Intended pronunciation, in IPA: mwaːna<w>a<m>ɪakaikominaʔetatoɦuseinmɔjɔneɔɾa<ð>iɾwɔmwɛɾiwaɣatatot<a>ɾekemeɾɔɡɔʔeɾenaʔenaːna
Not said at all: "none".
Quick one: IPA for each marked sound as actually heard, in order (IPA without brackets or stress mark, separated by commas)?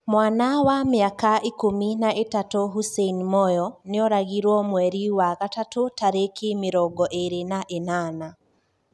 w, m, ɣ, a